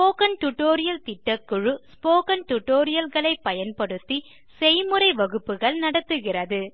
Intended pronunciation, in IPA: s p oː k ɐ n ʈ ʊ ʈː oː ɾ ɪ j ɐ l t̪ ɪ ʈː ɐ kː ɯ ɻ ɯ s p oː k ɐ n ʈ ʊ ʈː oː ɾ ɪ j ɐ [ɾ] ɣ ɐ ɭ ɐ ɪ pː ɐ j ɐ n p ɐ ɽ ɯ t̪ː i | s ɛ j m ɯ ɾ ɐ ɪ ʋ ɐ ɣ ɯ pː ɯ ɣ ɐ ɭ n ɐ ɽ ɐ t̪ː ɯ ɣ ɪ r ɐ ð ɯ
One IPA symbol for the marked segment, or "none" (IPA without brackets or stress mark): l